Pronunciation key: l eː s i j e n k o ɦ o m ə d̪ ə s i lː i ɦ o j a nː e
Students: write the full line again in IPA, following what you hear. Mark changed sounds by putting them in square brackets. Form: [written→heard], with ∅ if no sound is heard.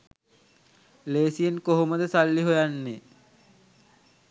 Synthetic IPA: l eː s i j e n k o ɦ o m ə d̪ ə s [i→a] lː i ɦ o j a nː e